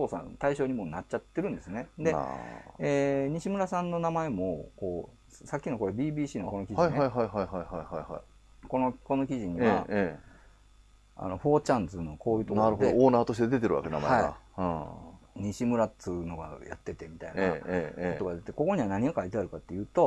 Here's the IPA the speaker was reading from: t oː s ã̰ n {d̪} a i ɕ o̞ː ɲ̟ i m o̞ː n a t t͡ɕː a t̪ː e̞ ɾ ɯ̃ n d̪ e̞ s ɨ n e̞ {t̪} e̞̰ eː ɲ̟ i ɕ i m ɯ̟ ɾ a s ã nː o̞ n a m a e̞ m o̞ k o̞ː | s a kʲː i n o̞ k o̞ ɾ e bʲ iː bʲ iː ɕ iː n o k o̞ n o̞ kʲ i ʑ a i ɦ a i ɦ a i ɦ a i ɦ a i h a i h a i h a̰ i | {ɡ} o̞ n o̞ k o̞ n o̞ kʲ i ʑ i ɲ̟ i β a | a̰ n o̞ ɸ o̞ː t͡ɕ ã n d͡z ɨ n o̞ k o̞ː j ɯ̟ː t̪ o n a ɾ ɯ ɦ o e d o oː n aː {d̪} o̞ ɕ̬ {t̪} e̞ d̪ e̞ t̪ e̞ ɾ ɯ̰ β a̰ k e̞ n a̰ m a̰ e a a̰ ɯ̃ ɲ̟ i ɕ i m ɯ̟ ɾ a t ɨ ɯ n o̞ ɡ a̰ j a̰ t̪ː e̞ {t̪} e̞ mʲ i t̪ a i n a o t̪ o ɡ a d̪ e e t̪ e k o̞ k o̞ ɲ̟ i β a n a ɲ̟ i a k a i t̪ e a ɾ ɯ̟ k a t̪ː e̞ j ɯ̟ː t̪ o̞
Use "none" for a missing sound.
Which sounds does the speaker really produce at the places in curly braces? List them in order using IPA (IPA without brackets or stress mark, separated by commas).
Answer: t̪, d̪, k, t̪, t̪, t̪